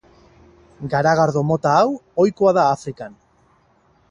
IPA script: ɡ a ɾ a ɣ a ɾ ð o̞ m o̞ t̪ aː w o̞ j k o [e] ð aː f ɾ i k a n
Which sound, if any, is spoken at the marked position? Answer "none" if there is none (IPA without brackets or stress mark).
a